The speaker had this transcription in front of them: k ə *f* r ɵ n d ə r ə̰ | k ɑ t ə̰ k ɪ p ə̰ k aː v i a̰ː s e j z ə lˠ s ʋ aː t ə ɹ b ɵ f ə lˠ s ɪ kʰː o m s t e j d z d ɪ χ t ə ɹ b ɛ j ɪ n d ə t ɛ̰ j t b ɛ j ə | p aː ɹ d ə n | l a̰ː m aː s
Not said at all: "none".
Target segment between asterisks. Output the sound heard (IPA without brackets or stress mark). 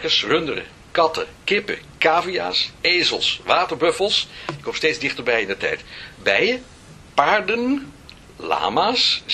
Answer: s